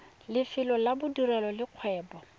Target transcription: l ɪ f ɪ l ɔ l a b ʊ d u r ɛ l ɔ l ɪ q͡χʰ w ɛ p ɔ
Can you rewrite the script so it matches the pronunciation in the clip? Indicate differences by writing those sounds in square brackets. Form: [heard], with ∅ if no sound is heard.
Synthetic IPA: l ɪ f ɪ l ɔ l a b ʊ d u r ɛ l ɔ l ɪ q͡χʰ w [ɛː] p ɔ